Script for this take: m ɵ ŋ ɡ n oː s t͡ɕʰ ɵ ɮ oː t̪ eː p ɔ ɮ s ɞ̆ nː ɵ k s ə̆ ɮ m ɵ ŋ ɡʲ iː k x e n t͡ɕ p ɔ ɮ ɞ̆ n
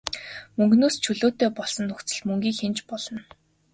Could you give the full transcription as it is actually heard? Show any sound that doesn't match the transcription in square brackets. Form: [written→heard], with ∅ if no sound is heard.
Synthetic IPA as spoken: m ɵ ŋ ɡ n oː s t͡ɕʰ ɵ ɮ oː t̪ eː p ɔ ɮ s ɞ̆ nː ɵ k [s→t͡s] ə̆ ɮ m ɵ ŋ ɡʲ iː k x e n t͡ɕ p ɔ ɮ ɞ̆ n